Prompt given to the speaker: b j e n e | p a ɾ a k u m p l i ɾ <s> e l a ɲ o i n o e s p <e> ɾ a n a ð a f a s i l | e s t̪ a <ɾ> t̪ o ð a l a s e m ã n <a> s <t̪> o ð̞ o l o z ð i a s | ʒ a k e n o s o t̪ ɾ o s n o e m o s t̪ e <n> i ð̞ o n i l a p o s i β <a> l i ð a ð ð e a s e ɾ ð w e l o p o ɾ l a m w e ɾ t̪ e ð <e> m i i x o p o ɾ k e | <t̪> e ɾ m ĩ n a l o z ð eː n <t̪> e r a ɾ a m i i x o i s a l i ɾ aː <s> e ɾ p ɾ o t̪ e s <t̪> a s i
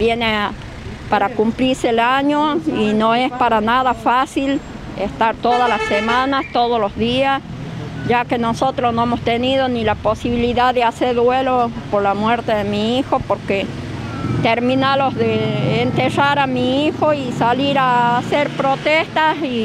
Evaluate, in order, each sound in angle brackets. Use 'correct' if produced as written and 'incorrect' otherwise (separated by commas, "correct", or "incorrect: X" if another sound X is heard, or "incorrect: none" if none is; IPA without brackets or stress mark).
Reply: correct, incorrect: a, correct, correct, correct, correct, incorrect: i, correct, correct, correct, correct, correct